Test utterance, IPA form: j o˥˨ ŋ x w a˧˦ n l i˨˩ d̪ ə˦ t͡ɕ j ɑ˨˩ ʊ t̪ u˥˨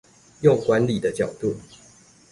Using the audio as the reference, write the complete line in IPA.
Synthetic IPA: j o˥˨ ŋ k w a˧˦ n l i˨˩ d̪ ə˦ t͡ɕ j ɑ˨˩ ʊ t̪ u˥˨